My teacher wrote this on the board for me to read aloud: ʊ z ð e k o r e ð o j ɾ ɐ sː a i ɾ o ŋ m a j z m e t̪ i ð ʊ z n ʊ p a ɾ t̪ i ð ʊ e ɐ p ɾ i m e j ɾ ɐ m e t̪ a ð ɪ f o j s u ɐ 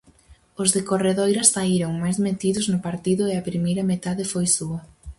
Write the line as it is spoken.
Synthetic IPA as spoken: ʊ z ð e k o r e ð o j ɾ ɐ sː a i ɾ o ŋ m a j z m e t̪ i ð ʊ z n ʊ p a ɾ t̪ i ð ʊ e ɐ p ɾ i m e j ɾ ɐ m e t̪ a ð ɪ f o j s u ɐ